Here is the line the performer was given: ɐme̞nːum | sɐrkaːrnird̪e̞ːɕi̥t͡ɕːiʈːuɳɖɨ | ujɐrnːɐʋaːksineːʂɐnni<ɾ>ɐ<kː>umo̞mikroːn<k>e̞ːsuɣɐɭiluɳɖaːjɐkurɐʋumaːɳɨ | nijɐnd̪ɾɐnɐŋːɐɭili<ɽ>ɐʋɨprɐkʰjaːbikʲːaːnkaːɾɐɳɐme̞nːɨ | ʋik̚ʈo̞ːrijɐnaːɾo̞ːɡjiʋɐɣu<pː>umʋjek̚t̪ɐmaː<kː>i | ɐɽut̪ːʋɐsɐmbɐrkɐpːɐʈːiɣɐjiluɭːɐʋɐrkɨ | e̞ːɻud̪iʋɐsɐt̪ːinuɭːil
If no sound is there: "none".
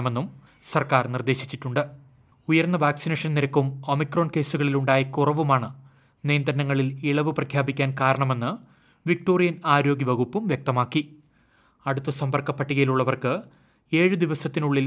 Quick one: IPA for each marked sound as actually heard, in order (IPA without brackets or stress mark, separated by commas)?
ɾ, kː, k, ɭ, pː, kː